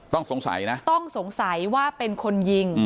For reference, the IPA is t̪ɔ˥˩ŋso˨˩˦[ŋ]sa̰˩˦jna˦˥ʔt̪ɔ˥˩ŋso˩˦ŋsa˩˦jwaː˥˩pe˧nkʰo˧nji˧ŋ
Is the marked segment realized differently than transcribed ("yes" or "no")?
no